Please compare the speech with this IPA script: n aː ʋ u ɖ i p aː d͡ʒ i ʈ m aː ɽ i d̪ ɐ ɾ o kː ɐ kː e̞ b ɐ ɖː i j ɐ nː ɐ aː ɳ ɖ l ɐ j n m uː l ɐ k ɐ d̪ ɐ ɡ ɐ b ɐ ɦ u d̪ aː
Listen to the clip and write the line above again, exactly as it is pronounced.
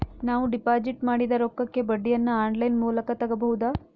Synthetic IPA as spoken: n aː ʋ u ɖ i p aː d͡ʒ i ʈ m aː ɽ i d̪ ɐ ɾ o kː ɐ kː e̞ b ɐ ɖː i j ɐ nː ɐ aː ɳ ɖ l ɐ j n m uː l ɐ k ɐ t̪ ɐ ɡ ɐ b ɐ ɦ u d̪ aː